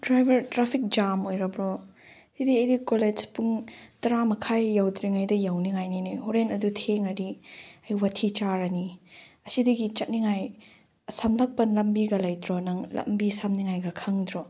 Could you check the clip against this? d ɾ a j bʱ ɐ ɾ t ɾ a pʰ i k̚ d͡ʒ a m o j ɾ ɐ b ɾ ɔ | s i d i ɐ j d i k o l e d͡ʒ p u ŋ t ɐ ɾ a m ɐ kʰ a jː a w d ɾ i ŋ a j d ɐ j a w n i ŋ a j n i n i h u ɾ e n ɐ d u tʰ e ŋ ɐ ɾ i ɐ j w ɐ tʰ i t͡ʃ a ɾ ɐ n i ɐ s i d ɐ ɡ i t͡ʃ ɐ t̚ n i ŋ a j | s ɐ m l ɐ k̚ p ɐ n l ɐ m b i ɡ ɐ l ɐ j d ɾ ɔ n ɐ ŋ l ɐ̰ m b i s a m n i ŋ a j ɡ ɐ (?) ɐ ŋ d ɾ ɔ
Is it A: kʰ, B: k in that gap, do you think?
A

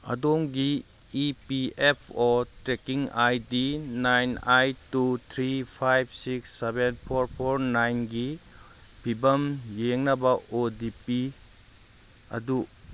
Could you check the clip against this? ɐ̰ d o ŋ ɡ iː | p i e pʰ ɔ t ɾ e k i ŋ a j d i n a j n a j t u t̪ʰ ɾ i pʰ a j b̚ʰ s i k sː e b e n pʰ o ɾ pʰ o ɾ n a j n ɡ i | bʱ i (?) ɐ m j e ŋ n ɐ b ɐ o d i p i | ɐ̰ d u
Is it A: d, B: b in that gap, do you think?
B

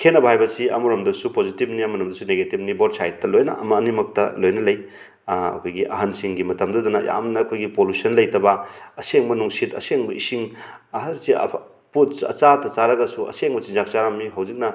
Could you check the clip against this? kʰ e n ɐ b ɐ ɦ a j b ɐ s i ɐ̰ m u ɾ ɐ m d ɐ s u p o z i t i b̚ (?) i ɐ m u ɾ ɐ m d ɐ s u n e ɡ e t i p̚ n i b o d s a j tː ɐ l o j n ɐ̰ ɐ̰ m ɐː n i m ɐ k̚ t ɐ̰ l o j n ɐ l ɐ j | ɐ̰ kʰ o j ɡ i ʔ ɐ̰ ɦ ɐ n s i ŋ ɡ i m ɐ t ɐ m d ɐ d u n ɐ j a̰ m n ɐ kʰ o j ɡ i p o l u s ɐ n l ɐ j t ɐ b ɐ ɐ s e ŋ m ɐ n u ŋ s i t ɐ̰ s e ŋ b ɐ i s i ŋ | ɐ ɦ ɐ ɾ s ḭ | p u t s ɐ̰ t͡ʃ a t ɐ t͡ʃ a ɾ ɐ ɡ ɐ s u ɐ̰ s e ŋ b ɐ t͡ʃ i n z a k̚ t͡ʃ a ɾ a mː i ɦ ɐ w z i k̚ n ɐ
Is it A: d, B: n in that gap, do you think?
B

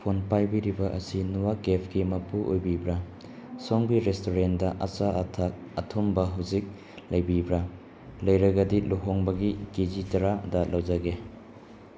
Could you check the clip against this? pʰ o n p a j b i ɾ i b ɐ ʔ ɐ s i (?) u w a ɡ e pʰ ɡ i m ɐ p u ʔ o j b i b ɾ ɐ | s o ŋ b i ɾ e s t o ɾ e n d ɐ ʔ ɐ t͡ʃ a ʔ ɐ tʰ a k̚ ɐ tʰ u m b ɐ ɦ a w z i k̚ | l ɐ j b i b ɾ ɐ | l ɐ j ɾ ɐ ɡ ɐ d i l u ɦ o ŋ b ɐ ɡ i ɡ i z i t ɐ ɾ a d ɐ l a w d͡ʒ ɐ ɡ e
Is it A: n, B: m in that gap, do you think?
A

